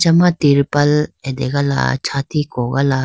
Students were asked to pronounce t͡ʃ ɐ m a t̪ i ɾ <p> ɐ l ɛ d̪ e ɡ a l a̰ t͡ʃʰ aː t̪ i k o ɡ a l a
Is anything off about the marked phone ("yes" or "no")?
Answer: no